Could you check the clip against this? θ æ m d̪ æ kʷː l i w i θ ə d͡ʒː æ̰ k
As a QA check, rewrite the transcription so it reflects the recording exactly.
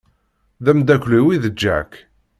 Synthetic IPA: ð æ m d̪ æ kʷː l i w i ð ə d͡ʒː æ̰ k

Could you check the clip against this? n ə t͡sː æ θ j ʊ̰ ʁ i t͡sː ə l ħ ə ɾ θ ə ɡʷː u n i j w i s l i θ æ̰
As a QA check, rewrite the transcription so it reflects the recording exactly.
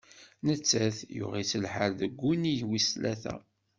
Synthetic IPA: n ə t͡sː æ θ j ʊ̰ ʁ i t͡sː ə l ħ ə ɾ ð ə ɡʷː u n i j w i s l æ θ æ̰

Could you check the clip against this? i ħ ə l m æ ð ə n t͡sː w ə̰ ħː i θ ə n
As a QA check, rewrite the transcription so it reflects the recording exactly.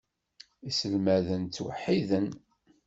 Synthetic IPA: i s ə l m æ ð ə n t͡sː w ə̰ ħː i ð ə n

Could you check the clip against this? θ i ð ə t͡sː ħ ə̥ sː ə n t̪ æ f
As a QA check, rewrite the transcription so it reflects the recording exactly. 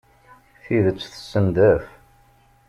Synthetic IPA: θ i ð ə t͡sː θ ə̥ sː ə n d̪ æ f

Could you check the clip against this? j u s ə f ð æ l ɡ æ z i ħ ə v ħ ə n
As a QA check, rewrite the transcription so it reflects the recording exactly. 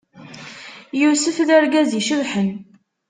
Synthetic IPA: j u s ə f ð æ ɾ ɡ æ z i ʃ ə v ħ ə n

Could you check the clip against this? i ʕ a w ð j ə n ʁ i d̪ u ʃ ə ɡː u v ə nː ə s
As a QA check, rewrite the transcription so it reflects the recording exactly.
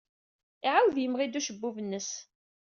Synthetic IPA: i ʕ a w ð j ə m ʁ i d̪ u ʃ ə bː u v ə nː ə s

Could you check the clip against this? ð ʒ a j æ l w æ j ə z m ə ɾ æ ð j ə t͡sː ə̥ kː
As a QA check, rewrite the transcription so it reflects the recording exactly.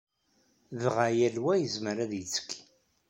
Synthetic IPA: ð ʁ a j æ l w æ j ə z m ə ɾ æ ð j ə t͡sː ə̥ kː

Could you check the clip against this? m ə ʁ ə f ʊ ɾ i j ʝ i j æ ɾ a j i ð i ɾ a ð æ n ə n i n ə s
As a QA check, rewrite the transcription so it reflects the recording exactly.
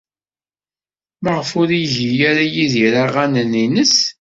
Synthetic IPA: m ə ʁ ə f ʊ ɾ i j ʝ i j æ ɾ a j i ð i ɾ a ʁ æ n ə n i n ə s

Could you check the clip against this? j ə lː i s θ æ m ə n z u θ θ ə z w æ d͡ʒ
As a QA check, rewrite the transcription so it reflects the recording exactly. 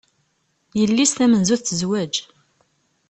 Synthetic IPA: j ə lː i s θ æ m ə n z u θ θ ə z w æ d͡ʒ

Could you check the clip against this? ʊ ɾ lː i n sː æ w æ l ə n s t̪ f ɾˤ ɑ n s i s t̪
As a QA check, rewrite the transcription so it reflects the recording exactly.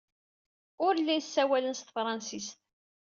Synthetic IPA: ʊ ɾ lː i n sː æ w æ l ə n s t̪ f ɾˤ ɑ n s i s t̪

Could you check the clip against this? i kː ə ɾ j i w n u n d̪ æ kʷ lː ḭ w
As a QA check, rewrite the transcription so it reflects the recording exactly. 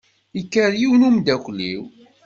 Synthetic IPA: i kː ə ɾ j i w n u m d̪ æ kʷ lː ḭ w

